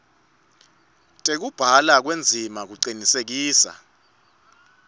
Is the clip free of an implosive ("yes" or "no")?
yes